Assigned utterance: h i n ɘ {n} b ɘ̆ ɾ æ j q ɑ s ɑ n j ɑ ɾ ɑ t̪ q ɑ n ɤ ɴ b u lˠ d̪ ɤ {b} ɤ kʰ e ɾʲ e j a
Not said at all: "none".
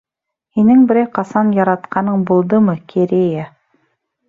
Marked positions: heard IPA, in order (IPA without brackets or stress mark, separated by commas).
ŋ, m